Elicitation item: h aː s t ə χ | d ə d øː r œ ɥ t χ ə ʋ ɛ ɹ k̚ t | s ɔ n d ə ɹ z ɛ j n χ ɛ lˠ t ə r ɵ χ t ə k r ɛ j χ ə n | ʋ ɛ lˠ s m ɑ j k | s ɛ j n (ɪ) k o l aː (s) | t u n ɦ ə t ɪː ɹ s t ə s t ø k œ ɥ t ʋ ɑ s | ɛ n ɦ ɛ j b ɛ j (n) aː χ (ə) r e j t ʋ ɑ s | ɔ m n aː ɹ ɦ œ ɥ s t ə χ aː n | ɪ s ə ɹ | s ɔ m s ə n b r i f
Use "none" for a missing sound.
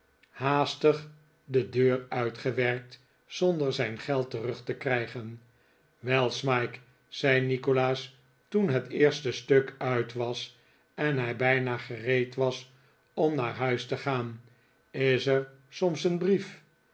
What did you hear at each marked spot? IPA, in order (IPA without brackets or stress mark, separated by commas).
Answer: i, s, n, ə